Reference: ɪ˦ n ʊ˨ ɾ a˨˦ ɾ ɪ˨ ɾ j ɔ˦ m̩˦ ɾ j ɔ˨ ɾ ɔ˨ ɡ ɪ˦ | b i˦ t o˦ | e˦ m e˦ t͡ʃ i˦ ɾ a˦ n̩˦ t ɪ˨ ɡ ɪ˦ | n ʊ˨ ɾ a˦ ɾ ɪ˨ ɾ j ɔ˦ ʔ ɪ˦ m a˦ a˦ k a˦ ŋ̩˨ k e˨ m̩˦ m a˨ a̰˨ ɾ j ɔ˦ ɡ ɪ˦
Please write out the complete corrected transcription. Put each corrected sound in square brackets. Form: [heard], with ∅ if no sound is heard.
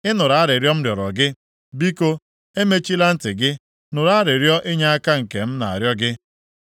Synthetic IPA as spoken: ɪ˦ n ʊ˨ ɾ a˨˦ ɾ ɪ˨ ɾ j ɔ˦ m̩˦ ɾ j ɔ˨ ɾ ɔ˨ ɡ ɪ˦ | b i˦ [k] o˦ | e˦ m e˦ t͡ʃ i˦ [l] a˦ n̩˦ t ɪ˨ ɡ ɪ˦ | n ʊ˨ ɾ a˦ ɾ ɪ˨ ɾ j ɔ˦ ʔ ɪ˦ [ɲ] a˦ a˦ k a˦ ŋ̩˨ k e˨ m̩˦ [n] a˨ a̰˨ ɾ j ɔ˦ ɡ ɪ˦